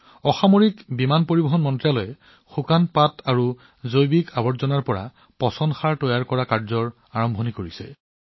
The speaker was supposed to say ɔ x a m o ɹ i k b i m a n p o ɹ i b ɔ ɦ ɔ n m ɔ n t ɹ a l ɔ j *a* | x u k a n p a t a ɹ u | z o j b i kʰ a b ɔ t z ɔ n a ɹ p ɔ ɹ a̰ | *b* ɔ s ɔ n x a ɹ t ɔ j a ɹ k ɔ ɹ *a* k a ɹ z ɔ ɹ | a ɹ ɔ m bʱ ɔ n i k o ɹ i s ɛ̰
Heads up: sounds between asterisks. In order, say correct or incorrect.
incorrect: ɛ, incorrect: p, correct

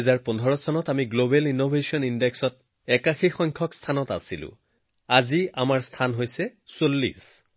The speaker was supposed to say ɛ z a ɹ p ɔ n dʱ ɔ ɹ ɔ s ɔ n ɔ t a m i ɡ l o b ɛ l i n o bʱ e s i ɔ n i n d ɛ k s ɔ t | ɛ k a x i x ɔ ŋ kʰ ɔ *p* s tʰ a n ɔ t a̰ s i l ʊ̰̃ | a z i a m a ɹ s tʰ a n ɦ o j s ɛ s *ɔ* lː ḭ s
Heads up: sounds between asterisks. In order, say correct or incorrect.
incorrect: k, incorrect: o

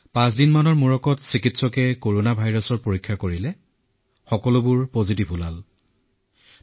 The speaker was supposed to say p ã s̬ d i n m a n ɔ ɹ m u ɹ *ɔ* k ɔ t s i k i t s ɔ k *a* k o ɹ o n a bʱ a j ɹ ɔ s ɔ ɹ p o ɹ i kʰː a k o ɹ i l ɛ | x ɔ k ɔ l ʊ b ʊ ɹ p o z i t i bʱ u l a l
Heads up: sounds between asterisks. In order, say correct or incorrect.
correct, incorrect: ɛ

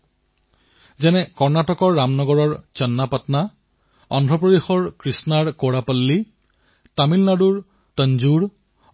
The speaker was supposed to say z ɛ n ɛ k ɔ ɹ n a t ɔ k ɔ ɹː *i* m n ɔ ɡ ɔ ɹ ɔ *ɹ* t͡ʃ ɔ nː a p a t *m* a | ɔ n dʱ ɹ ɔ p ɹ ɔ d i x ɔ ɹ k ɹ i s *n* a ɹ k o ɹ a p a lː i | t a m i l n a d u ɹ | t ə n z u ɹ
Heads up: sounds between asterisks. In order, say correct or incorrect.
incorrect: a, correct, incorrect: n, correct

